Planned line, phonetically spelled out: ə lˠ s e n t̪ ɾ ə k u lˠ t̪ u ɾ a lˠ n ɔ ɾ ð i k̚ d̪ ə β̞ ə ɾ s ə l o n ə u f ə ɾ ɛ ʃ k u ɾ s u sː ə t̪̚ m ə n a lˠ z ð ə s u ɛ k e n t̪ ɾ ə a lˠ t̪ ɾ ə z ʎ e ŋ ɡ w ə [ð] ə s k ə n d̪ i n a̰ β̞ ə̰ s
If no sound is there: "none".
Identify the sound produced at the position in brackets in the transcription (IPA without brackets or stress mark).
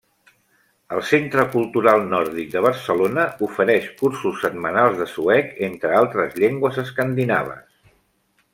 z